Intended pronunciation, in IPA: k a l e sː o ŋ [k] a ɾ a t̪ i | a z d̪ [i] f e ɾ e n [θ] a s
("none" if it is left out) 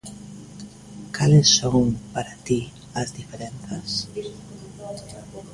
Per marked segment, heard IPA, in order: p, i, θ

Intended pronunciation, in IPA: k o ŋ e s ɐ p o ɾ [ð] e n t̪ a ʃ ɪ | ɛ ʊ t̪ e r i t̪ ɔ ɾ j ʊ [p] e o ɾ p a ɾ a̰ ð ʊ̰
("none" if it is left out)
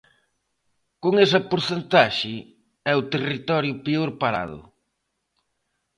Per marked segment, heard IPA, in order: θ, p

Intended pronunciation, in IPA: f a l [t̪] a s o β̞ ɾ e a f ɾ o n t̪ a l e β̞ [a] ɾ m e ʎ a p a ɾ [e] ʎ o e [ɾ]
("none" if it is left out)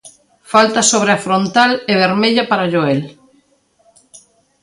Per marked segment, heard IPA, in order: t̪, e, a, l

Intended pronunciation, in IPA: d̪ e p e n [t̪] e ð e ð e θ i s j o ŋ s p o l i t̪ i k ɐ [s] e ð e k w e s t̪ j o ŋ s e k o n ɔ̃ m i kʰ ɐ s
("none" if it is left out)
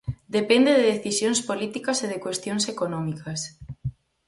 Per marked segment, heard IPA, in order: d̪, s

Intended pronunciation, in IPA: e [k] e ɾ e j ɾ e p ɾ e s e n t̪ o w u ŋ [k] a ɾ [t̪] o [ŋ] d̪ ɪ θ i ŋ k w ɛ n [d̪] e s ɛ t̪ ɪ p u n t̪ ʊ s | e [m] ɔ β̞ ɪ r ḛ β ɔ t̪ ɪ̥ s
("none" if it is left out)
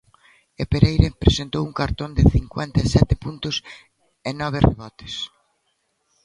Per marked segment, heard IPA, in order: p, k, t̪, n, t̪, n

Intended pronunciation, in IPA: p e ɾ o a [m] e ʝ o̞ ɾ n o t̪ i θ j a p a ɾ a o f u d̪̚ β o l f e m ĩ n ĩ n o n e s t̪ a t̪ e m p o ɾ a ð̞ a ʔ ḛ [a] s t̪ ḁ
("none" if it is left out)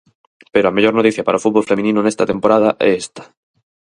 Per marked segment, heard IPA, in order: m, e

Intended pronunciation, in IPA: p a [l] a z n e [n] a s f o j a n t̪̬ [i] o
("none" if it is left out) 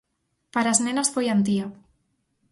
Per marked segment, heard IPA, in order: ɾ, n, i

